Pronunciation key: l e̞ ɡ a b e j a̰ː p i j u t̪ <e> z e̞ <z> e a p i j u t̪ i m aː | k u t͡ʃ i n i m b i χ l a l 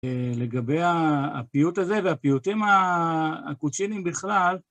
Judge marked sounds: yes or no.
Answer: no, no

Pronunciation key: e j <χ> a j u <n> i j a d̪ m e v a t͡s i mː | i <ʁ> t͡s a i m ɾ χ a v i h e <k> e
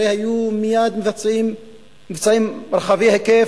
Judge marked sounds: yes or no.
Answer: no, no, no, yes

